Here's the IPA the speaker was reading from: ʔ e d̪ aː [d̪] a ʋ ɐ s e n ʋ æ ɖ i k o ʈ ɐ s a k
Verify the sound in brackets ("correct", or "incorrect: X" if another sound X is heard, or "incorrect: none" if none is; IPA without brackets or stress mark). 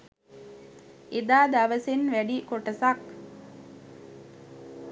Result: correct